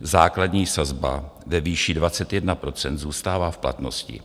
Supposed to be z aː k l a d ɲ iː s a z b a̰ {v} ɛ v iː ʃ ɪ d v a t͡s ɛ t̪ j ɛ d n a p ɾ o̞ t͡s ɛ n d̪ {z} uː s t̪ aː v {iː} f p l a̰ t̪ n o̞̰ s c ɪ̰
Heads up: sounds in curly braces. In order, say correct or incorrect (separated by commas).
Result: correct, correct, incorrect